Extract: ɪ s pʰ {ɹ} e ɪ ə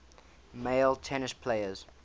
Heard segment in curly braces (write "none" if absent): l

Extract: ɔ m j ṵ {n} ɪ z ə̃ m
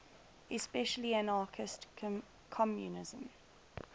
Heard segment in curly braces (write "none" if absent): n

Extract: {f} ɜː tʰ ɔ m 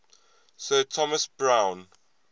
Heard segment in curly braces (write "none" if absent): s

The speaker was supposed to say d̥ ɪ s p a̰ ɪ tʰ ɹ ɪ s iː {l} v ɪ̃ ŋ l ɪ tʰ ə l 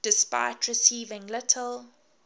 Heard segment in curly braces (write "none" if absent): none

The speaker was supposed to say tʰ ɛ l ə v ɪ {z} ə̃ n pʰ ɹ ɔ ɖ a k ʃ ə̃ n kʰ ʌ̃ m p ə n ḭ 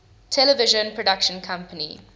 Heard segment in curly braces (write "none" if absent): ʒ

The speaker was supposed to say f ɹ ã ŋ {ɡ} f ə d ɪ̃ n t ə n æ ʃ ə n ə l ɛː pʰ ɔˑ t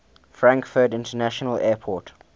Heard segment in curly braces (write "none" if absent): k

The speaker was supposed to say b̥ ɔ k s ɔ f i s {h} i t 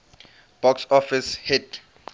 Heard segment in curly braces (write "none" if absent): h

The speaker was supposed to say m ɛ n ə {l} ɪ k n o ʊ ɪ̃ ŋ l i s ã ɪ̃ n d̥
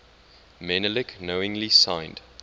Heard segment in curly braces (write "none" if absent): l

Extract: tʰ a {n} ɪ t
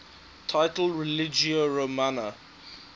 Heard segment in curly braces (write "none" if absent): none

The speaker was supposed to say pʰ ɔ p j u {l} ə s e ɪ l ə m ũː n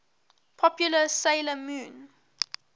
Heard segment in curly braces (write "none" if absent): l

